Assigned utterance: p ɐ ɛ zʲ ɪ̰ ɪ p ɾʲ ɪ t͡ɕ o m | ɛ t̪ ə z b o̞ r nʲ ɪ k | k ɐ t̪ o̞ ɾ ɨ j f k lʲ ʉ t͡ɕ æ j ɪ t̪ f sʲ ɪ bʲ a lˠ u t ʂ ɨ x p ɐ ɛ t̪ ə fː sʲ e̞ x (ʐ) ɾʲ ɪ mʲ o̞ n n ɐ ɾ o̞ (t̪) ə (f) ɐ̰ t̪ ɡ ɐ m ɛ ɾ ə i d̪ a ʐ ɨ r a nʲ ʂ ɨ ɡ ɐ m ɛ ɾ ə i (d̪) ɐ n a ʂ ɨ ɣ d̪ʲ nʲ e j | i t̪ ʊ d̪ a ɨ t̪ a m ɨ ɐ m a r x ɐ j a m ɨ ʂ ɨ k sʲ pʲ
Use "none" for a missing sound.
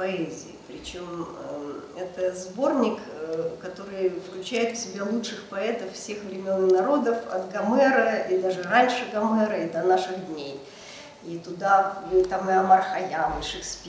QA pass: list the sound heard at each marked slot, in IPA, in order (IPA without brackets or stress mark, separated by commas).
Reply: v, d̪, f, d̪